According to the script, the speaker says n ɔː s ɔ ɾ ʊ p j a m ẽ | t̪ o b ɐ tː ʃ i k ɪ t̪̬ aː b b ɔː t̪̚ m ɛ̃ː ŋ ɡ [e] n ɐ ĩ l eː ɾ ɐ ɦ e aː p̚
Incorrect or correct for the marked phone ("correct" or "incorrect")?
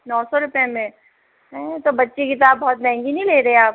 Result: incorrect